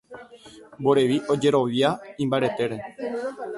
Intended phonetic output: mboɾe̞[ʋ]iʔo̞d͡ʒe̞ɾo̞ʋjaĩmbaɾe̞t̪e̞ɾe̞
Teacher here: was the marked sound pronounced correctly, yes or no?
yes